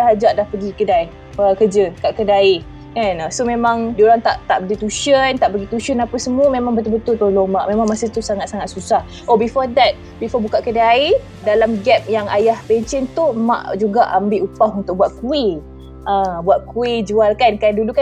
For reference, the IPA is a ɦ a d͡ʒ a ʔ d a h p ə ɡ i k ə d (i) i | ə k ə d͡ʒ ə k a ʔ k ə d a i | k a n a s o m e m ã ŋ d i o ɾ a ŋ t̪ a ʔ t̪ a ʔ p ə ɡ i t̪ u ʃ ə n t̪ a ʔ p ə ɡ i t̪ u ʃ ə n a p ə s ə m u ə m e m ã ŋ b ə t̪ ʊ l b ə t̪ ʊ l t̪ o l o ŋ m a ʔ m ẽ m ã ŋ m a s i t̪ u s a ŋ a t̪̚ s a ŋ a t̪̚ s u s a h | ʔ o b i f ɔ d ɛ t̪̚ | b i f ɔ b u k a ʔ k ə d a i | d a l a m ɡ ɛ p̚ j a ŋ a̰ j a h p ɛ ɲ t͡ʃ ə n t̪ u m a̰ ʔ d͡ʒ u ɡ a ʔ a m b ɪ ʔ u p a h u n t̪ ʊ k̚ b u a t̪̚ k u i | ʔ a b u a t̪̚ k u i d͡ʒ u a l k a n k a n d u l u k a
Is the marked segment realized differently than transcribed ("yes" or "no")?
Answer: yes